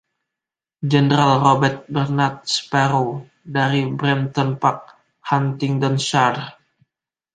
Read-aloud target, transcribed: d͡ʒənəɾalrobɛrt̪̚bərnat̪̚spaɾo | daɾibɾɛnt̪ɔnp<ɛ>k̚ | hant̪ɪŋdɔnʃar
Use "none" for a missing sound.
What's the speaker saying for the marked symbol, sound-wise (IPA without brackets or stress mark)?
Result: a